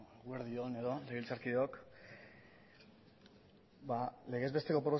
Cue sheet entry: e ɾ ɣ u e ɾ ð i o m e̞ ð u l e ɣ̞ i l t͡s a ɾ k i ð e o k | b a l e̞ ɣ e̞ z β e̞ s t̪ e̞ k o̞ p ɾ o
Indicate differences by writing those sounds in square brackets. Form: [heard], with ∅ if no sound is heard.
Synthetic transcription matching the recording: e [∅] ɣ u e ɾ ð i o [n] e̞ ð [o] l e ɣ̞ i l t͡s a ɾ k i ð e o k | b a l e̞ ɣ e̞ z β e̞ s t̪ e̞ k o̞ p ɾ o